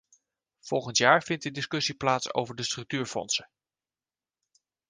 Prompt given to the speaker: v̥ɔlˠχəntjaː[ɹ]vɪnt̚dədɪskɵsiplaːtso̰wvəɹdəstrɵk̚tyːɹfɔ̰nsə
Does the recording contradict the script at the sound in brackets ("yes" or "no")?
no